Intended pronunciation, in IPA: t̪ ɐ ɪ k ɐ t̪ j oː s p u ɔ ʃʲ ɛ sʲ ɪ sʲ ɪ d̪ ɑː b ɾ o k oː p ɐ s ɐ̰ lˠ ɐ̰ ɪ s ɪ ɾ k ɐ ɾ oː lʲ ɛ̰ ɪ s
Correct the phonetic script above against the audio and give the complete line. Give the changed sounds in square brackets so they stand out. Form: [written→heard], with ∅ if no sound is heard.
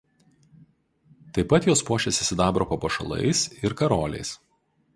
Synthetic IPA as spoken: t̪ ɐ ɪ [k→p] ɐ t̪ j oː s p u ɔ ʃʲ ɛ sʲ ɪ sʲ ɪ d̪ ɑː b ɾ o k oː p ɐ [s→ʃ] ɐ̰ lˠ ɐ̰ ɪ s ɪ ɾ k ɐ ɾ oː lʲ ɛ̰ ɪ s